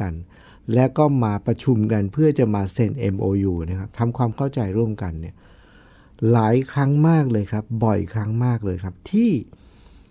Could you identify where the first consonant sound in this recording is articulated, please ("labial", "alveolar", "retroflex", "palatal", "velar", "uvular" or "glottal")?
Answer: alveolar